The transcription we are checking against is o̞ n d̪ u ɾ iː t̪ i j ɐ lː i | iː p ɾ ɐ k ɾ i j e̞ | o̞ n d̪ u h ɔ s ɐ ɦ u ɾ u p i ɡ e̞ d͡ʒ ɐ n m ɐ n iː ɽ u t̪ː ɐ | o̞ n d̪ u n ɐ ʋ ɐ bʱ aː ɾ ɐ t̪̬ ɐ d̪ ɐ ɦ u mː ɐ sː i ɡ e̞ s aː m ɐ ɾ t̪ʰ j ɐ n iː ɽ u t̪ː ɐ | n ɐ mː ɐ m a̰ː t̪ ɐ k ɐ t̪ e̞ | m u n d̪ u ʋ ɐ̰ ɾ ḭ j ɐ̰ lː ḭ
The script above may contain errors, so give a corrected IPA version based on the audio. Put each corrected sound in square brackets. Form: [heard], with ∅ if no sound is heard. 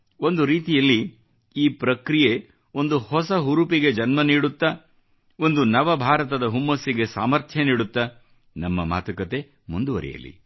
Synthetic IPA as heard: o̞ n d̪ u ɾ iː t̪ i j ɐ lː i | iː p ɾ ɐ k ɾ i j e̞ | o̞ n d̪ u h ɔ s ɐ ɦ u ɾ u p i ɡ e̞ d͡ʒ ɐ n m ɐ n iː ɽ u t̪ː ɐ | o̞ n d̪ u n ɐ ʋ ɐ bʱ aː ɾ ɐ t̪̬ ɐ d̪ ɐ ɦ u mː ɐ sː i ɡ e̞ s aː m ɐ ɾ t̪ʰ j ɐ n iː ɽ u t̪ː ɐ | n ɐ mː ɐ m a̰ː t̪ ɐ k ɐ t̪ e̞ | m u n d̪ u ʋ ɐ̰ ɾ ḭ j ɐ̰ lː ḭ